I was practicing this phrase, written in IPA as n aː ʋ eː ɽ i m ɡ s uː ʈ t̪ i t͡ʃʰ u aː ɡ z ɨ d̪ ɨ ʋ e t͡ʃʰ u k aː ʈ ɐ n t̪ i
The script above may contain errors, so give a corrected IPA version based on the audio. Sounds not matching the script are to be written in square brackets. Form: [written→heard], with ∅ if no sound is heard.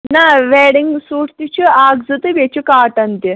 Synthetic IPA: n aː ʋ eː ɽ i [m→ŋ] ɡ s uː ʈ t̪ i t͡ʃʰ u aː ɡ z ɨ [d̪→t̪] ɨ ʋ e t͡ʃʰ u k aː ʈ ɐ n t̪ i

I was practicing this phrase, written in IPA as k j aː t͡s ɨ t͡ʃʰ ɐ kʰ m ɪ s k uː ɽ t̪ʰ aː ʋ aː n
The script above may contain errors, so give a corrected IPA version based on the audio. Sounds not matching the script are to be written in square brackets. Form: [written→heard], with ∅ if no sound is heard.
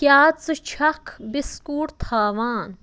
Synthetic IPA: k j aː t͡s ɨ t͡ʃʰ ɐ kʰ [m→b] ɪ s k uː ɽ t̪ʰ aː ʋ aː n

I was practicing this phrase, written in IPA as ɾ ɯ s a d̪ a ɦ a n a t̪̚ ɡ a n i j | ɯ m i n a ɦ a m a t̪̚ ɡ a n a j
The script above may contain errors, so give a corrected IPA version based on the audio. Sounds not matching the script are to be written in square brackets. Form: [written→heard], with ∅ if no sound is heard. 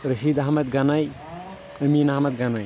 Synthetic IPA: ɾ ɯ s [a→i] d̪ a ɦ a [n→m] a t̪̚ ɡ a n [i→a] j | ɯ m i n a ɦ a m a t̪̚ ɡ a n a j

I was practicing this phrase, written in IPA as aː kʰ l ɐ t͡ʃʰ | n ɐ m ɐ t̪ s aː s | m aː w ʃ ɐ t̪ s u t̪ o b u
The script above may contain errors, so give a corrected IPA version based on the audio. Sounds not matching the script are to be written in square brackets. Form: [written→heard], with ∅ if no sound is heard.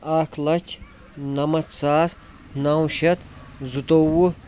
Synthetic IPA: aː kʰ l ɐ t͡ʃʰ | n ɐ m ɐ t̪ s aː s | [m→n] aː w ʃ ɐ t̪ [s→z] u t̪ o [b→w] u

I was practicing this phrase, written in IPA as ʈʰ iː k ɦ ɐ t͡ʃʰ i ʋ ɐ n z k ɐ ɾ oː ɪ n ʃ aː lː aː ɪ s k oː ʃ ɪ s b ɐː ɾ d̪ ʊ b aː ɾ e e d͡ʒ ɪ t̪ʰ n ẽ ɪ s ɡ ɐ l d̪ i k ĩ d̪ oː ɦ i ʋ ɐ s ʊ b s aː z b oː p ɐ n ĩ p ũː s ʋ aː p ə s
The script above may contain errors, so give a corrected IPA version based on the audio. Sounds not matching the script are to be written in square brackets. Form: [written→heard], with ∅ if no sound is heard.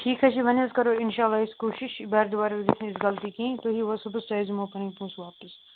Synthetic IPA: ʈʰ iː k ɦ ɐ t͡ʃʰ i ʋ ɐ n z k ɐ ɾ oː ɪ n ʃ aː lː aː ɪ s k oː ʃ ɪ [s→ʃ] b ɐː ɾ d̪ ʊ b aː ɾ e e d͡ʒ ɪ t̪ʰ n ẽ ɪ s ɡ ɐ l [d̪→t̪] i k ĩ [d̪→t̪] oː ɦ i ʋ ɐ s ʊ b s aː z [b→m] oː p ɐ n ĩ p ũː s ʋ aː p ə s

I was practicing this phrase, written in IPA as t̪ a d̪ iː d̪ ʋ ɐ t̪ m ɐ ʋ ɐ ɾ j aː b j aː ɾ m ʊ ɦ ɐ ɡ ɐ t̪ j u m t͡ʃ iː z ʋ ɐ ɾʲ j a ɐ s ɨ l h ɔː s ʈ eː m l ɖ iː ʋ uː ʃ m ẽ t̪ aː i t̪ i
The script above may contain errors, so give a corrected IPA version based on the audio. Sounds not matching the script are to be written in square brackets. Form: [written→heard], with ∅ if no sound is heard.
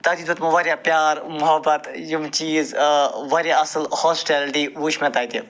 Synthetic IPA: t̪ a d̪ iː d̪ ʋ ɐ t̪ m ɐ ʋ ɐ ɾ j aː [b→p] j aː ɾ m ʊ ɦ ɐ [ɡ→b] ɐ t̪ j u m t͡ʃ iː z ʋ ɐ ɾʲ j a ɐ s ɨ l h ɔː s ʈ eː [m→∅] l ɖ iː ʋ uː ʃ m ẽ t̪ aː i t̪ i

